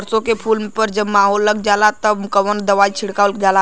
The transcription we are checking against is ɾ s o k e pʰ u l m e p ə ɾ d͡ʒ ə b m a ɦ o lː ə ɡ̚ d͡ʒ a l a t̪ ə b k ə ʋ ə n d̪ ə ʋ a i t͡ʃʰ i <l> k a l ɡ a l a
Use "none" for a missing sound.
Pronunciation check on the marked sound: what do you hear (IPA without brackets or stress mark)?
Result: ɽ